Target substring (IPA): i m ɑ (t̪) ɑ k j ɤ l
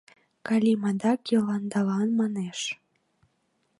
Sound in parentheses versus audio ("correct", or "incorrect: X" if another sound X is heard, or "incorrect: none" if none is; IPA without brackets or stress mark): incorrect: d̪